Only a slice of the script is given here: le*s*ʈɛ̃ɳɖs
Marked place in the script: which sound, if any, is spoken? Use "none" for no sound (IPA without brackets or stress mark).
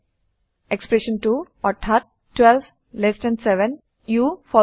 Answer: s